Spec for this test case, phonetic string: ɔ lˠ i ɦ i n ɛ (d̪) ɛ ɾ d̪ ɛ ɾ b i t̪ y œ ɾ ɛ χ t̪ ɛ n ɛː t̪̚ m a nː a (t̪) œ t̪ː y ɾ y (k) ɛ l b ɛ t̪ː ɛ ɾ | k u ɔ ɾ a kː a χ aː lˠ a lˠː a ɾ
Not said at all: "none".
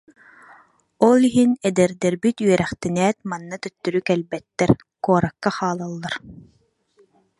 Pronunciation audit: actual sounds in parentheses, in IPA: d̪, t̪, k

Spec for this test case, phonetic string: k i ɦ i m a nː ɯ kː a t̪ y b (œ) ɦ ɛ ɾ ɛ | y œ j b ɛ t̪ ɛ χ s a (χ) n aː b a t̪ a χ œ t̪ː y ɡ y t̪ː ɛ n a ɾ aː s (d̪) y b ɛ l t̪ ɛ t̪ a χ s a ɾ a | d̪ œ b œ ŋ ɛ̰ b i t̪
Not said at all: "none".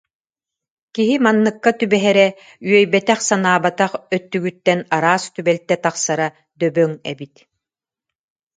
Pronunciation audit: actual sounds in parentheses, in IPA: ɛ, none, t̪

